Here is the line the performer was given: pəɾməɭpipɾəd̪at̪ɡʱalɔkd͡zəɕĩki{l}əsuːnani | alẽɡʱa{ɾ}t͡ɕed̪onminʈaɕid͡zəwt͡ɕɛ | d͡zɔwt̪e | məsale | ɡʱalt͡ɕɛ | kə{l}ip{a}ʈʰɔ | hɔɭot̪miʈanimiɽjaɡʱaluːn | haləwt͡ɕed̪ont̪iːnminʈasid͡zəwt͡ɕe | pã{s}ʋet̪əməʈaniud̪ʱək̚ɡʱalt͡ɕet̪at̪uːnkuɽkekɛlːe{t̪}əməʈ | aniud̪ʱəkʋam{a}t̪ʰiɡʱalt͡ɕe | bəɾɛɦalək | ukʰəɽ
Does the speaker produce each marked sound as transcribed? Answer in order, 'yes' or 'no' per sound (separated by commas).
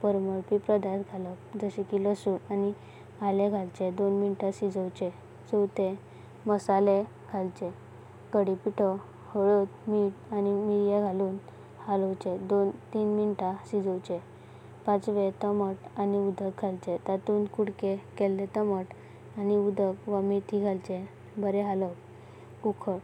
yes, no, no, no, no, yes, no